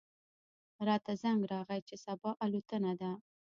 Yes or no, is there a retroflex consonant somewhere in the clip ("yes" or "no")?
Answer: no